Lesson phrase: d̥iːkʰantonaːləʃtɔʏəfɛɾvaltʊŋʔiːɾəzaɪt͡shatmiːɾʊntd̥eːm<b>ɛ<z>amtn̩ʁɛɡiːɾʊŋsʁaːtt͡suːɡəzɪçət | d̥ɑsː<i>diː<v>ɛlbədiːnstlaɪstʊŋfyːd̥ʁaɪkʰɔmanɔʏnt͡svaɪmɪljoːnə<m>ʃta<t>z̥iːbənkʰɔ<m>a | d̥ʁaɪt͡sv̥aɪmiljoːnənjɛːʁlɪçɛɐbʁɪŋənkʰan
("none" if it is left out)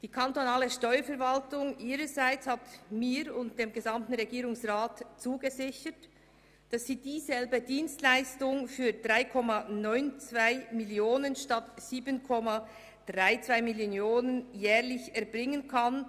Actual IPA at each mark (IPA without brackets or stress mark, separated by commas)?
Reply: ɡ, z, iː, z, n, t, m